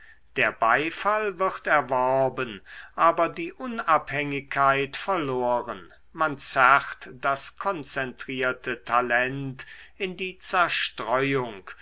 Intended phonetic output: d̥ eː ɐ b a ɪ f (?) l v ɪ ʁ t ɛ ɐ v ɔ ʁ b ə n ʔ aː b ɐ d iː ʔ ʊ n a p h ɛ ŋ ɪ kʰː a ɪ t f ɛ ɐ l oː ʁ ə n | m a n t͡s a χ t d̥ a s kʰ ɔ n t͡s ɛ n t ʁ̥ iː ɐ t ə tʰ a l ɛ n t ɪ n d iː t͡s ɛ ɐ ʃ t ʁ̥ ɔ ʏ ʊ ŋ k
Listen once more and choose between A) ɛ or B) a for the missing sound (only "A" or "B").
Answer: B